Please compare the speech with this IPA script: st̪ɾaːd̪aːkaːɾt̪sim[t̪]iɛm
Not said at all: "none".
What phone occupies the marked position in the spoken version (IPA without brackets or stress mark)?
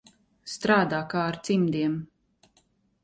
d̪